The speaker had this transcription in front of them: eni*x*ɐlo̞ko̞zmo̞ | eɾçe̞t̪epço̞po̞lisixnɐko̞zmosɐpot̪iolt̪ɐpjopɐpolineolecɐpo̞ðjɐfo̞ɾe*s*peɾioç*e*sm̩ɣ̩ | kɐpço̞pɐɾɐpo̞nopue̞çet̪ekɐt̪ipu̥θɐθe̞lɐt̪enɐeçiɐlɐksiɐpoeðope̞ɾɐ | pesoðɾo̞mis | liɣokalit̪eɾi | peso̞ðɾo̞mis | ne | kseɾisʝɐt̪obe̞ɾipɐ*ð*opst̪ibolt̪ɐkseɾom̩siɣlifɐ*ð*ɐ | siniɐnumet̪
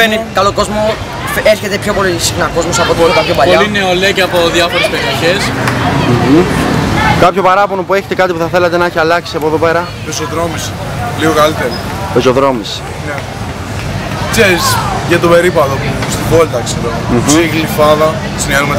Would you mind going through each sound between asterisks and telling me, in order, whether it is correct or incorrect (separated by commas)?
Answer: incorrect, correct, correct, correct, correct